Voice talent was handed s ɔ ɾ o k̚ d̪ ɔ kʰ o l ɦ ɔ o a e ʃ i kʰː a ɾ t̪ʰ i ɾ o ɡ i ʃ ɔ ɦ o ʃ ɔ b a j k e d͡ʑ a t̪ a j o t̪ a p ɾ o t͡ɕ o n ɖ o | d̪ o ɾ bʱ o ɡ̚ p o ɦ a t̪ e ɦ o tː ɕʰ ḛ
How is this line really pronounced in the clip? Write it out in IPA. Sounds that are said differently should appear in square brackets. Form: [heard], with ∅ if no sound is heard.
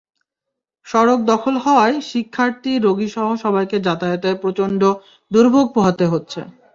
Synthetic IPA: [ʃ] ɔ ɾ o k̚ d̪ ɔ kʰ o l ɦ ɔ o a e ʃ i kʰː a ɾ [t̪] i ɾ o ɡ i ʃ ɔ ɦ o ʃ ɔ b a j k e d͡ʑ a t̪ a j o t̪ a p ɾ o t͡ɕ o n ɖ o | d̪ [u] ɾ bʱ o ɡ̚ p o ɦ a t̪ e ɦ o tː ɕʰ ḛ